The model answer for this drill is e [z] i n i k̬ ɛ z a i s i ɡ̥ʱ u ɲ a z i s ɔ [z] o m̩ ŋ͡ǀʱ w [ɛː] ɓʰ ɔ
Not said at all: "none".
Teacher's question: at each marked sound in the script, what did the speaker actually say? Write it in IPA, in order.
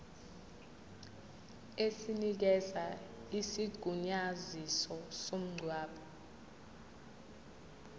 s, s, aː

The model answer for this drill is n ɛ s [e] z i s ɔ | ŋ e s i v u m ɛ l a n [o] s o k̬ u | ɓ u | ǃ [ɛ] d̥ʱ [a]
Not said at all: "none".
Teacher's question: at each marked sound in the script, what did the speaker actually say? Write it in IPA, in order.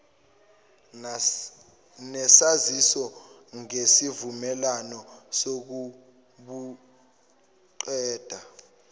a, ɔ, ɛː, a

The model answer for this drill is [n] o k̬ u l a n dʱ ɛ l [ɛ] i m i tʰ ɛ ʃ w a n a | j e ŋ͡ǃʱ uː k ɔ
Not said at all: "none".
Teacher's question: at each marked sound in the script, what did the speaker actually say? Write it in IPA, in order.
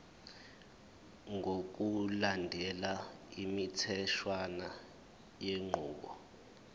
ŋ, a

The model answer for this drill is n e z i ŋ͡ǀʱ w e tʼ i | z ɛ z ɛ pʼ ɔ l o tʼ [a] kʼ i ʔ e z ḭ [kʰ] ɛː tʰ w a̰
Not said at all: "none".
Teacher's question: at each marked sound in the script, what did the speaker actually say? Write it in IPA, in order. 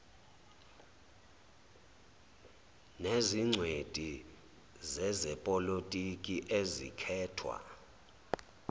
i, kʰ

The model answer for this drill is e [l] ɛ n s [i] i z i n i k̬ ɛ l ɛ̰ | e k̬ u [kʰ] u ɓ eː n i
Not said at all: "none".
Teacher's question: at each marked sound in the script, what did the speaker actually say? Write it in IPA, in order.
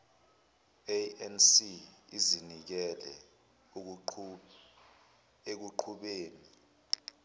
none, i, ǃʰ

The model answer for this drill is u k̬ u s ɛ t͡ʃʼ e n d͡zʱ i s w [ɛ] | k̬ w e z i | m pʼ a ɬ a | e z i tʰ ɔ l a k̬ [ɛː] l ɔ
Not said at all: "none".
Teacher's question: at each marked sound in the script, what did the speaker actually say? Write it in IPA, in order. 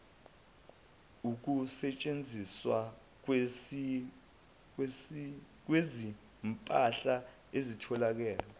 a, ɛː

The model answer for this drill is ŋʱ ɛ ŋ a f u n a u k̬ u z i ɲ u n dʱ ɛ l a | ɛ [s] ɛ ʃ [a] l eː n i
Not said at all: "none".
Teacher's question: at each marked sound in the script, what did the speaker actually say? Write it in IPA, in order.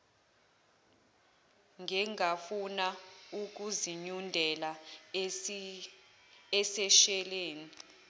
s, ɛ

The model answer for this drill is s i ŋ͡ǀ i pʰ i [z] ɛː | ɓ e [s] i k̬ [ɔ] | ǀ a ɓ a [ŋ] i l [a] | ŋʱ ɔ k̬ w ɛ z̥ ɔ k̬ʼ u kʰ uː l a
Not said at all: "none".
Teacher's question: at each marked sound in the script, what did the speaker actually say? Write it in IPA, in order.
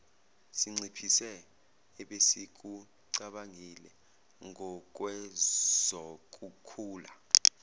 s, s, u, ŋ, ɛ

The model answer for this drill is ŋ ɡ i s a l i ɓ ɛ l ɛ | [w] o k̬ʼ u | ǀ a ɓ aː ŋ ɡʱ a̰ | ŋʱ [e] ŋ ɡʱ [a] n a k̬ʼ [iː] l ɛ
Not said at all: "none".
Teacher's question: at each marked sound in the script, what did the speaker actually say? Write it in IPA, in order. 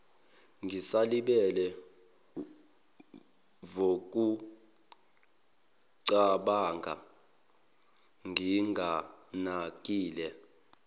v, i, a, iː

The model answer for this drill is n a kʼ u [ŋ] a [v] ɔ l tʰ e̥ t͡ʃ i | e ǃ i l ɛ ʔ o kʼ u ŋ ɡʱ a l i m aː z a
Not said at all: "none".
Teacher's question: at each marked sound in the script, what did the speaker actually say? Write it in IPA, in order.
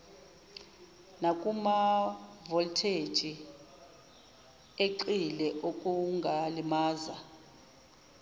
m, v

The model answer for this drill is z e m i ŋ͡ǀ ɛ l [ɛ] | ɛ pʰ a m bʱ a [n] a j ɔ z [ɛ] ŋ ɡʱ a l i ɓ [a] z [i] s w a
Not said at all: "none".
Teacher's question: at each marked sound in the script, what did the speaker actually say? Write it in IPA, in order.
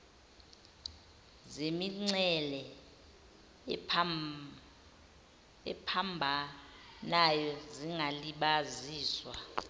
ɛ, n, i, a, iː

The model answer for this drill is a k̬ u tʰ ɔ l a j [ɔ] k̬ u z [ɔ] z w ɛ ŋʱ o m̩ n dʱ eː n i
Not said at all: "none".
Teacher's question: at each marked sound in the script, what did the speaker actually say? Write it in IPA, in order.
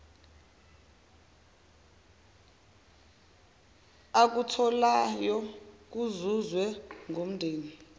ɔ, u

